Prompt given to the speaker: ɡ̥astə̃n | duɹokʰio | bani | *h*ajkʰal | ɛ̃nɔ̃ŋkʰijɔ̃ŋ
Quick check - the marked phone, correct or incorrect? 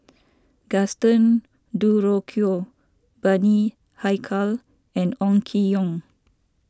correct